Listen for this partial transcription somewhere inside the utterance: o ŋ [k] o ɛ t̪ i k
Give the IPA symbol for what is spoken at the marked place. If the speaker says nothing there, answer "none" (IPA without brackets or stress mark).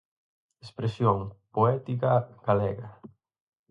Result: p